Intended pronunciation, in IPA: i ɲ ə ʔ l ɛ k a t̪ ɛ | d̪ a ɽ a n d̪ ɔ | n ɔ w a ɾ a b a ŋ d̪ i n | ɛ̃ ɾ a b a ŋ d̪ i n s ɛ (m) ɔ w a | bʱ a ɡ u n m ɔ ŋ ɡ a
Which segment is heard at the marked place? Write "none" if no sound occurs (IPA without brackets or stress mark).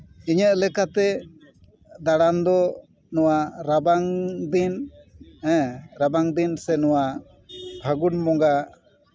n